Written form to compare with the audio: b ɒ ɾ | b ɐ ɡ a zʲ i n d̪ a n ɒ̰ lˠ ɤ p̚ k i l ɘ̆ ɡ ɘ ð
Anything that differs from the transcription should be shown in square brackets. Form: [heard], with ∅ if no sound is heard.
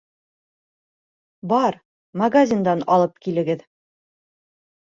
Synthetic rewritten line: b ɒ ɾ | [m] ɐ ɡ a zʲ i n d̪ [ɑ] n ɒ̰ lˠ ɤ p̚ k i l ɘ̆ ɡ ɘ ð